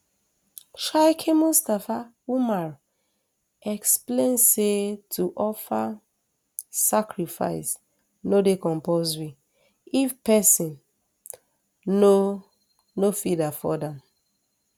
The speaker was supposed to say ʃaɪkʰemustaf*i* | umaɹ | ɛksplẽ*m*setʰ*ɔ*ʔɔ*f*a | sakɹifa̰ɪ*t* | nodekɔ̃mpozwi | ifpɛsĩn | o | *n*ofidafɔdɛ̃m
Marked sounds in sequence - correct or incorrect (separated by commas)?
incorrect, incorrect, incorrect, correct, incorrect, correct